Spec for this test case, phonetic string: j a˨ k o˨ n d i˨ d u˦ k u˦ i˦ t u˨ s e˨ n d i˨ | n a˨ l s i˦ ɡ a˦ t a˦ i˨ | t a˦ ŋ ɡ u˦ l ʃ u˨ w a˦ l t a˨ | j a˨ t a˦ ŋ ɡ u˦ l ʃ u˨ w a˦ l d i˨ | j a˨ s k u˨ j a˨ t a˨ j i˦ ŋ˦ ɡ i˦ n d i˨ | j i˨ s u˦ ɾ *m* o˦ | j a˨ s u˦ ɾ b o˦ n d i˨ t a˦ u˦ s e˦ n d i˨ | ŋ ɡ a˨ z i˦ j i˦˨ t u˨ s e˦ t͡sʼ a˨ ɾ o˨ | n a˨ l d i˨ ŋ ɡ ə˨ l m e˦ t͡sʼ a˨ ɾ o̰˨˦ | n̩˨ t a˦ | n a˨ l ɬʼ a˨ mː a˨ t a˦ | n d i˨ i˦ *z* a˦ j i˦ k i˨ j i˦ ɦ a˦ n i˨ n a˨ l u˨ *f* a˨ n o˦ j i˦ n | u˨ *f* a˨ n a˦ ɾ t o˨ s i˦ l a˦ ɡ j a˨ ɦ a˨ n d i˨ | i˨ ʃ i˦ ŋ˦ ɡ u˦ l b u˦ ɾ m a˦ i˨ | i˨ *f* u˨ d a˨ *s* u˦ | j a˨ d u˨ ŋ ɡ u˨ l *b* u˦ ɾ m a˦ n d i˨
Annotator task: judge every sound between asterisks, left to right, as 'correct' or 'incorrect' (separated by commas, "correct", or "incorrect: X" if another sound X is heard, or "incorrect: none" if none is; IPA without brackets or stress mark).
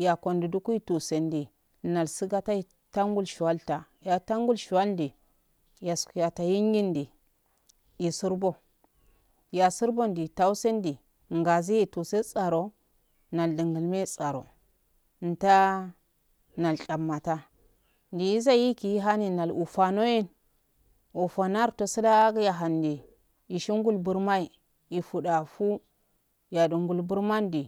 incorrect: b, correct, correct, correct, correct, incorrect: f, correct